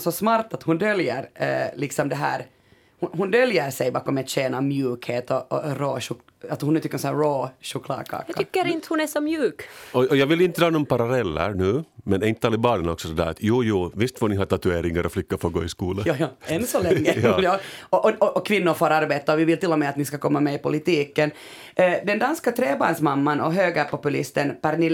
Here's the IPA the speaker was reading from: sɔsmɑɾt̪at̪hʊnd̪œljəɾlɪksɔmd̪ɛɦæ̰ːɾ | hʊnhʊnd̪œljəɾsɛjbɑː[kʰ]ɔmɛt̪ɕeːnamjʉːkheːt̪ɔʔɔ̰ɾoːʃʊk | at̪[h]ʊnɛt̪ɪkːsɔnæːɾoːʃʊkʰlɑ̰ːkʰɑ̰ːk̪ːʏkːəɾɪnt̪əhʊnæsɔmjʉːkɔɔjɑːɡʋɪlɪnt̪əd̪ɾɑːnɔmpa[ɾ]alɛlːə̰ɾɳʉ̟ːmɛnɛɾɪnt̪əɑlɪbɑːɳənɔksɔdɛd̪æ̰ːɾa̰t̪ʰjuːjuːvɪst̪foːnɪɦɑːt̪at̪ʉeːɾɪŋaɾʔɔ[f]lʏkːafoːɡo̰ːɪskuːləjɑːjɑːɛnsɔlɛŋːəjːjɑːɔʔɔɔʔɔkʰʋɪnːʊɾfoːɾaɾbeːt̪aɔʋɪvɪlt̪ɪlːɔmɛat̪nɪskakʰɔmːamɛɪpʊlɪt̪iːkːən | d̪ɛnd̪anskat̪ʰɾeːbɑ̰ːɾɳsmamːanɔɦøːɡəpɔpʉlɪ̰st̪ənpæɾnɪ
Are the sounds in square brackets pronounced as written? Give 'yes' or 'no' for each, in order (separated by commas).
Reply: no, yes, yes, yes